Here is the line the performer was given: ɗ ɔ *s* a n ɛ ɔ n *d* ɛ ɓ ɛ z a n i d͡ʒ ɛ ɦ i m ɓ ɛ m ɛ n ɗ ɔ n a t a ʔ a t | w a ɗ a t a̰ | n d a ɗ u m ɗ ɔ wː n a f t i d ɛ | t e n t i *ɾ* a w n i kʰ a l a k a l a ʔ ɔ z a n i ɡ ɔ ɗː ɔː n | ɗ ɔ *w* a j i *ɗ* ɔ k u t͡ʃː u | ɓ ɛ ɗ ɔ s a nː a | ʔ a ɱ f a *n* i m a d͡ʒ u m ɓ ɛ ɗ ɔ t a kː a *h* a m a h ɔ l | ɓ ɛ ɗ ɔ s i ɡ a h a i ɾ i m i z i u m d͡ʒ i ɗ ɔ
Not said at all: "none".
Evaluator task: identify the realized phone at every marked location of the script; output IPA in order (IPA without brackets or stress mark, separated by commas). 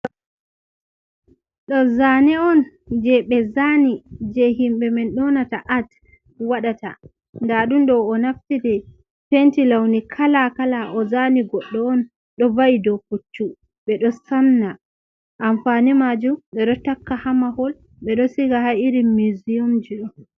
z, d͡ʒ, l, v, d, n, h